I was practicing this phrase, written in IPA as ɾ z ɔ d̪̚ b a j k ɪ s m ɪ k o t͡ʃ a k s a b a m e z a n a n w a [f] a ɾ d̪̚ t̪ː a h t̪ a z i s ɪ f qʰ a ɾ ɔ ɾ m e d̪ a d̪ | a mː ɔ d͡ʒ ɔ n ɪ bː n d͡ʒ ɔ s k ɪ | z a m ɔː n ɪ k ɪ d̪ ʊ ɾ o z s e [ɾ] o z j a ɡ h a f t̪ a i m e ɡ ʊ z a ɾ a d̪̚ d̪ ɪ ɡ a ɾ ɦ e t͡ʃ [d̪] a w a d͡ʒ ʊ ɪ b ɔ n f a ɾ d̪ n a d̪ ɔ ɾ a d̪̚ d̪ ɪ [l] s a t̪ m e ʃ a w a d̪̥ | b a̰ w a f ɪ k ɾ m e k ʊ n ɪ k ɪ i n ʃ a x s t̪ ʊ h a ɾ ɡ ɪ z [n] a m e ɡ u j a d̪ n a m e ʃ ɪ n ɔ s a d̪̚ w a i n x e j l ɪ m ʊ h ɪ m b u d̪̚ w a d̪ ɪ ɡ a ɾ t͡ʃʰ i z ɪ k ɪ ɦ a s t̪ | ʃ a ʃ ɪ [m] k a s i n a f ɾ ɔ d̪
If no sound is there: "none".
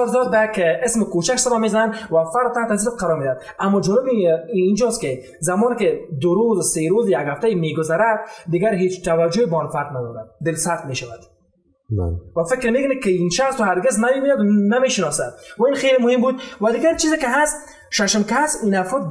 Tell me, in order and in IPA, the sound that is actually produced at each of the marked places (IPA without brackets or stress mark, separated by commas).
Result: f, ɾ, t̪, l, n, m